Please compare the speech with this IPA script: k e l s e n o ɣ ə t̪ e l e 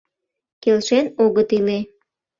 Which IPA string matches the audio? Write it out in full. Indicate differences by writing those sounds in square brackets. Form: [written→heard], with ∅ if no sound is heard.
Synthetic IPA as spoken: k e l [s→ʃ] e n o ɣ ə t̪ [e→i] l e